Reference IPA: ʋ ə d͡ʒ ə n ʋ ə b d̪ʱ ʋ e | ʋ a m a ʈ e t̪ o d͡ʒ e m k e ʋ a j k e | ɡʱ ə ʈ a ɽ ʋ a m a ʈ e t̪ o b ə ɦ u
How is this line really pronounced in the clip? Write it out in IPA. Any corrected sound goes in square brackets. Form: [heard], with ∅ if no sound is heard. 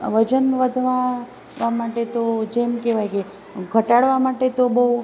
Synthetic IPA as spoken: ʋ ə d͡ʒ ə n ʋ ə [∅] d̪ʱ ʋ [a] | ʋ a m a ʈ e t̪ o d͡ʒ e m k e ʋ a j k e | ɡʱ ə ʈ a ɽ ʋ a m a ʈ e t̪ o b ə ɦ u